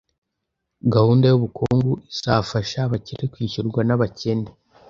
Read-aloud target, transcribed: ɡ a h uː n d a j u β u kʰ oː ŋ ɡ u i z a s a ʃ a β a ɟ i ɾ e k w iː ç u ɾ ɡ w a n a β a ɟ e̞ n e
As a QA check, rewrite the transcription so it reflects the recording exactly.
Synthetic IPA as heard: ɡ a h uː n d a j u β u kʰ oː ŋ ɡ u i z a f a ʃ a β a c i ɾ e k w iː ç u ɾ ɡ w a n a β a c e̞ n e

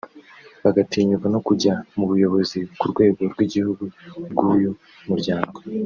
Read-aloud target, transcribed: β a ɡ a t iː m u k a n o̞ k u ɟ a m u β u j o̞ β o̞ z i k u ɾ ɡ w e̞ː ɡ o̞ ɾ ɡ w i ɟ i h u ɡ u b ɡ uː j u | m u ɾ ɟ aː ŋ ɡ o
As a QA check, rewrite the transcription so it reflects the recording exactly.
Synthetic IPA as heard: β a ɡ a t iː ɲ u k a n o̞ k u ɟ a m u β u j o̞ β o̞ z i k u ɾ ɡ w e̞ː ɡ o̞ ɾ ɡ w i ɟ i h u ɡ u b ɡ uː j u | m u ɾ ɟ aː ŋ ɡ o

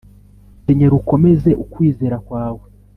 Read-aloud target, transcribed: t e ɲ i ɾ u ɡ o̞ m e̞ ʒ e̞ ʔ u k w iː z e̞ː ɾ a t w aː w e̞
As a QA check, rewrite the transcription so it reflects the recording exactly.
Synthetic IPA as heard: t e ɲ e ɾ u k o̞ m e̞ z e̞ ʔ u k w iː z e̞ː ɾ a k w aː w e̞

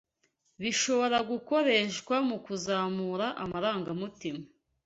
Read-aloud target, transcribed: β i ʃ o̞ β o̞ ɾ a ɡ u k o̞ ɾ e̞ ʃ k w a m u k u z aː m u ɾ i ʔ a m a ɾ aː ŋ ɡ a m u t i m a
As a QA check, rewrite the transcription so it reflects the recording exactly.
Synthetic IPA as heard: β i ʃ o̞ β o̞ ɾ a ɡ u k o̞ ɾ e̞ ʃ k w a m u k u z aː m u ɾ a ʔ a m a ɾ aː ŋ ɡ a m u t i m a

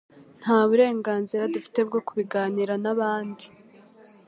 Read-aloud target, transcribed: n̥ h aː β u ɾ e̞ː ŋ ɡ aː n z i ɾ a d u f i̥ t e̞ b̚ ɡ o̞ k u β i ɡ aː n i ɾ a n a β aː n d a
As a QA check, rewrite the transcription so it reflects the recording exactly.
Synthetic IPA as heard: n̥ h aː β u ɾ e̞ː ŋ ɡ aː n z i ɾ a d u f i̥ t e̞ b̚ ɡ o̞ k u β i ɡ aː n i ɾ a n a β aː n d i

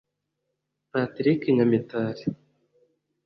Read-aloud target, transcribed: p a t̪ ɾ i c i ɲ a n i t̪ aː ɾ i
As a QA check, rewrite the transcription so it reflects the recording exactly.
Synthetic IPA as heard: p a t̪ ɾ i k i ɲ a m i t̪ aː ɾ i

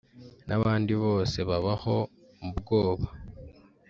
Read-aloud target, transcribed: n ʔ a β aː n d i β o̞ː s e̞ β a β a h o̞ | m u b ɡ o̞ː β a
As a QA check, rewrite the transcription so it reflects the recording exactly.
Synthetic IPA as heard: n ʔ a β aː n d i β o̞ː s e̞ β a β a h o̞ | m u b ɡ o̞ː β a

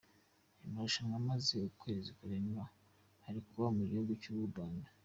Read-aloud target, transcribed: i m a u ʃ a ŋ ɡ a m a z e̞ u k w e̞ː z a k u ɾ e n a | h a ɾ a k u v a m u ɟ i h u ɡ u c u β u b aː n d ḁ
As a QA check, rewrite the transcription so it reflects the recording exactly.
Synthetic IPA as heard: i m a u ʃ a ŋ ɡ a m a z e̞ u k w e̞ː z i k u ɾ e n a | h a ɾ i k u β a m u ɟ i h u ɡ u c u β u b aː n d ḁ

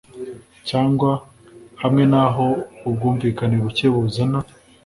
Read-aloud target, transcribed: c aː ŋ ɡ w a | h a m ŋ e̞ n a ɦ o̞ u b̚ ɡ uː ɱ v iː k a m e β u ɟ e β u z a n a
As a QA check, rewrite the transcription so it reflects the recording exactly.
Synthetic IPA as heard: c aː ŋ ɡ w a | h a m ŋ e̞ n a ɦ o̞ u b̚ ɡ uː ɱ v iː k a n e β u c e β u z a n a

